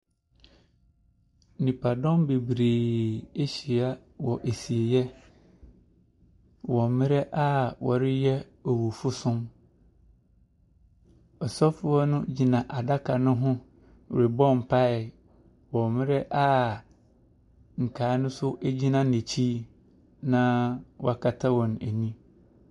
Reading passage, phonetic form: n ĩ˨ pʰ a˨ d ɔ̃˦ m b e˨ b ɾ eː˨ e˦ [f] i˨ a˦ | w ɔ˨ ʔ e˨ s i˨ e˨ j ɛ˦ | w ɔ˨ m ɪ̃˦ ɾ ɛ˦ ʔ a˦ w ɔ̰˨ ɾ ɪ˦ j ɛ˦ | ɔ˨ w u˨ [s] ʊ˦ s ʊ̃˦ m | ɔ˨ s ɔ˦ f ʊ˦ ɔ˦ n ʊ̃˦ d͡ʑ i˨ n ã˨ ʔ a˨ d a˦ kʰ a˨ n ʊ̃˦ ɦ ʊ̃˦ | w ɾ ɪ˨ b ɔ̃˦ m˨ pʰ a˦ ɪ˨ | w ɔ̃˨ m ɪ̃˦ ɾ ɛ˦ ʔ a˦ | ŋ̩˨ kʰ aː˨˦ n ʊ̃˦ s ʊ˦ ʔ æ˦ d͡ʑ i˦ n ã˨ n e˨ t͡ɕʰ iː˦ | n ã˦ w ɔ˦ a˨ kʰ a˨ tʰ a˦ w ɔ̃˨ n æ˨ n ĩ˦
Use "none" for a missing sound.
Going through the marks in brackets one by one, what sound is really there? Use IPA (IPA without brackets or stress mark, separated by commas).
ɕ, f